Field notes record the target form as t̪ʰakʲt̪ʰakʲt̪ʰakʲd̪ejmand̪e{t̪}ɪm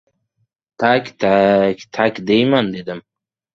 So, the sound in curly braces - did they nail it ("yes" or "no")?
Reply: no